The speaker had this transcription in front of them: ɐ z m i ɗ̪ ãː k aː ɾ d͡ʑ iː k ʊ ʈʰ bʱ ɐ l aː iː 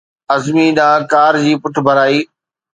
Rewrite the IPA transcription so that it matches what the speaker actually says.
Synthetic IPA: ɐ z m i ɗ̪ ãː k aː ɾ d͡ʑ iː p ʊ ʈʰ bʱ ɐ ɾ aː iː

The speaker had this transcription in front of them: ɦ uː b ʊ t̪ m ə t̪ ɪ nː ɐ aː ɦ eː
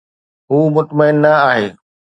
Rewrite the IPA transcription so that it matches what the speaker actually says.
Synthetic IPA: ɦ uː m ʊ t̪ m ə ɪ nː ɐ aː ɦ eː

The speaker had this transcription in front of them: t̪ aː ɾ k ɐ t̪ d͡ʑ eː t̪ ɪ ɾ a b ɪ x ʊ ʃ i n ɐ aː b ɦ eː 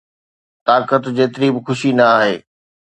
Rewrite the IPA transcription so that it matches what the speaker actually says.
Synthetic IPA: t̪ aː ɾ k ə t̪ d͡ʑ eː t̪ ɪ ɾ i b ɪ x ʊ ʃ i n ɐ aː ɦ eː

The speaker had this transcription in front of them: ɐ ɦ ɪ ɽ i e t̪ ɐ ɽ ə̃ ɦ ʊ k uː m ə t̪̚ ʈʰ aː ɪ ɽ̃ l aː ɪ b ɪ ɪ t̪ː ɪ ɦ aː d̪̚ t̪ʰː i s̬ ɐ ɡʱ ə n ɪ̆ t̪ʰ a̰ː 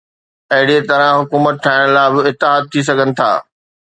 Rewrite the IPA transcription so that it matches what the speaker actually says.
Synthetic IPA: ɐ ɦ ɪ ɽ i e t̪ ɐ ɾ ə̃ ɦ ʊ k uː m ə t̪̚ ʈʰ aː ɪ ɽ̃ l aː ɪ b ɪ ɪ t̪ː ɪ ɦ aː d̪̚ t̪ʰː i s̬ ɐ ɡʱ ə n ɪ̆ t̪ʰ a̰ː

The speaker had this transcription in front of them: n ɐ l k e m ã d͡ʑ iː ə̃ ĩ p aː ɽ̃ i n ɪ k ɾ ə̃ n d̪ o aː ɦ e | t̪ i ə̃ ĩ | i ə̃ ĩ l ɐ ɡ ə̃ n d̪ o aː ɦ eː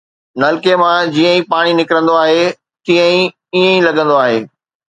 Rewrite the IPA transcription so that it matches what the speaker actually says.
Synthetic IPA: n ɐ l k e m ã d͡ʑ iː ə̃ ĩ p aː ɽ̃ i n ɪ k ɾ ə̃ n d̪ o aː ɦ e | t̪ i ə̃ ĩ | i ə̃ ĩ l ɐ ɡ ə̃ n d̪ o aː ɦ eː

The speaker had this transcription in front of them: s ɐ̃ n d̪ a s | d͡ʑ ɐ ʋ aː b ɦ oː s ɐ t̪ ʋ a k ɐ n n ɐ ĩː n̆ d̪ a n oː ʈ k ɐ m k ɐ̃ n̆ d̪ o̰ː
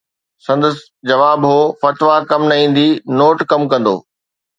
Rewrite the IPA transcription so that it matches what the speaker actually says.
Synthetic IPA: s ɐ̃ n d̪ ə s | d͡ʑ ɐ ʋ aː b ɦ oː f ɐ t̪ ʋ a k ɐ m n ɐ ĩː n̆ d̪ i n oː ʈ k ɐ m k ɐ̃ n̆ d̪ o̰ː

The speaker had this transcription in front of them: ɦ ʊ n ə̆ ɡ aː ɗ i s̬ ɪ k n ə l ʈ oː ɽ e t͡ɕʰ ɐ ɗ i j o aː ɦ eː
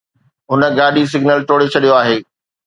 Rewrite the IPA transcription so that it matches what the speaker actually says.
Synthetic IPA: ɦ ʊ n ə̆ ɡ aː ɗ i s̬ ɪ ɡ n ə l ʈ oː ɽ e t͡ɕʰ ɐ ɗ i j o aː ɦ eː

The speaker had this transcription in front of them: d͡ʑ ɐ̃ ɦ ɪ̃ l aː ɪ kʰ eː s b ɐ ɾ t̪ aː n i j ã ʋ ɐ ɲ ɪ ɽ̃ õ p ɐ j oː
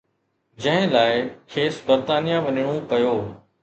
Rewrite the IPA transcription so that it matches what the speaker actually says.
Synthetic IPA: d͡ʑ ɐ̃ ɦ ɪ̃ l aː ɪ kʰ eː s b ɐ ɾ t̪ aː n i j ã ʋ ɐ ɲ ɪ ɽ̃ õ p ɐ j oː

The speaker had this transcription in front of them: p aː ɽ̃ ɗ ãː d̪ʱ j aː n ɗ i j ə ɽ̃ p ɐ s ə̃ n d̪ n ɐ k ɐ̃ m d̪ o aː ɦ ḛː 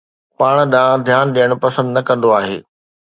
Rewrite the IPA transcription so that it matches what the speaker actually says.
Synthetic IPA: p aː ɽ̃ ɗ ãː d̪ʱ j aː n ɗ i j ə ɽ̃ p ɐ s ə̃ n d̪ n ɐ k ɐ̃ n d̪ o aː ɦ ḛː

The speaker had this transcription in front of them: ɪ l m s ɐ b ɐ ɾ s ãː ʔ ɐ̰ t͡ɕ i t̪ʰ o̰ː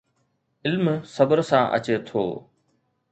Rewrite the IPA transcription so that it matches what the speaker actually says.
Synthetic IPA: ɪ l m s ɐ b ə ɾ s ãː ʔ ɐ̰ t͡ɕ e t̪ʰ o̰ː

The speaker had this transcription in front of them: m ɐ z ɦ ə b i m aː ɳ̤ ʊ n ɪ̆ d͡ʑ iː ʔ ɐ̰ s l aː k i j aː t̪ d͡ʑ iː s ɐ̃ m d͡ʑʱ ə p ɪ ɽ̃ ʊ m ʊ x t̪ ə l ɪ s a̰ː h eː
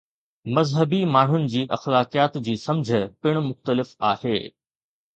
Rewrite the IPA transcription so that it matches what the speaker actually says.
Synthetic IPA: m ɐ z ɦ ə b i m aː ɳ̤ ʊ n ɪ̆ d͡ʑ iː ʔ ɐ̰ x l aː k i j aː t̪ d͡ʑ iː s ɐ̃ m d͡ʑʱ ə p ɪ ɽ̃ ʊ m ʊ x t̪ ə l ɪ f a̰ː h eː

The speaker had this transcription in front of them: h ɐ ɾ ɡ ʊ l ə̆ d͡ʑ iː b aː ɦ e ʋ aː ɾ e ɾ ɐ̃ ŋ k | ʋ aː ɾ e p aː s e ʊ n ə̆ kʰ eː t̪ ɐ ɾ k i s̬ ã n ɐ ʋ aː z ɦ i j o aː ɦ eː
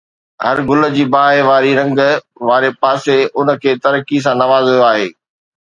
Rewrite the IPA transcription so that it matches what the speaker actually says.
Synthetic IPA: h ɐ ɾ ɡ ʊ l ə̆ d͡ʑ iː b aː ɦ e ʋ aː ɾ i ɾ ɐ̃ ŋ ɡ | ʋ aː ɾ e p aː s e ʊ n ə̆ kʰ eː t̪ ɐ ɾ k i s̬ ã n ɐ ʋ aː z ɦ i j o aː ɦ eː

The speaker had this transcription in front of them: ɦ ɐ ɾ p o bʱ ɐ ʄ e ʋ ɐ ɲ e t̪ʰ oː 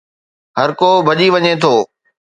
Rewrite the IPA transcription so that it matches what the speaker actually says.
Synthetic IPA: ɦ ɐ ɾ k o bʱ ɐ ʄ i ʋ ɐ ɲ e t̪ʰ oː

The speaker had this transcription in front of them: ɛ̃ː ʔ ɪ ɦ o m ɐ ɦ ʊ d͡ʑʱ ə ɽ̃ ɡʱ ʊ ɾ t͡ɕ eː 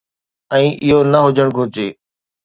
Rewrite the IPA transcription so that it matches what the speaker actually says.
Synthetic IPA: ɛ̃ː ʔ ɪ ɦ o n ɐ ɦ ʊ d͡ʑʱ ə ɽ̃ ɡʱ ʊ ɾ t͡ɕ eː

